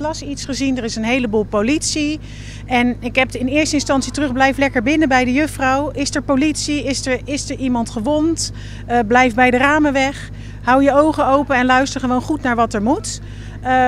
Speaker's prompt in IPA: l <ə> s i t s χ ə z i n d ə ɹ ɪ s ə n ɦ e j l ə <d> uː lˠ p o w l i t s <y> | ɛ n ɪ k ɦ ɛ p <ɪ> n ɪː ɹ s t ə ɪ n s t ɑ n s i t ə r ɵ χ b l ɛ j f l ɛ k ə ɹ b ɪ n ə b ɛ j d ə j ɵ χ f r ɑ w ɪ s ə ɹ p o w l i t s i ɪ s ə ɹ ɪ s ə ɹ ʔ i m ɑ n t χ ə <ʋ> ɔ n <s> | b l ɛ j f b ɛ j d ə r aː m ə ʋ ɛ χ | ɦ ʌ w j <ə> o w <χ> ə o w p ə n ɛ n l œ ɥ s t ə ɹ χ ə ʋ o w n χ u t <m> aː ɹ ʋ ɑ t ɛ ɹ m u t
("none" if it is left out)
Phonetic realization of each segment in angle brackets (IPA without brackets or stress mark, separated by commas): ɑ, b, i, ɪ, ʋ, t, ə, χ, n